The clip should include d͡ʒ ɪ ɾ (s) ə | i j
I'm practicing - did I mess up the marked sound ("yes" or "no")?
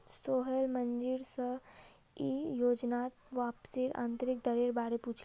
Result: no